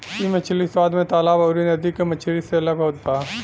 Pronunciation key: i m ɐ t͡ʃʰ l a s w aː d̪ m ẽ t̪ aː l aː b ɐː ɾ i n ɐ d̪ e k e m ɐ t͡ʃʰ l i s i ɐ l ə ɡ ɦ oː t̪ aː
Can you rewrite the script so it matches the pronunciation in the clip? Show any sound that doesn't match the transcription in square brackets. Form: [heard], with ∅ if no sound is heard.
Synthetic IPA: i m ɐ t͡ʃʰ l [i] s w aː d̪ m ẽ t̪ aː l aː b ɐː ɾ i n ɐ d̪ [i] k e m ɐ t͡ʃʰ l i s [e] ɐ l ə ɡ ɦ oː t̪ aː